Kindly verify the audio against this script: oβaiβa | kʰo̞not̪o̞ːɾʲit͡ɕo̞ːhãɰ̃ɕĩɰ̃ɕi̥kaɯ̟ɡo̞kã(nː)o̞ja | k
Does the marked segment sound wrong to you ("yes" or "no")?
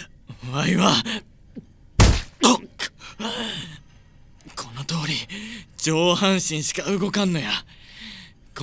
no